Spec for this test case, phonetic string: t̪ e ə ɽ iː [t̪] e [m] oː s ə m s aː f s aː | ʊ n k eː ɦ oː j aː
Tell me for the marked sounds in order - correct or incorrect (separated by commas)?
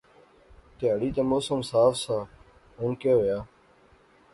correct, correct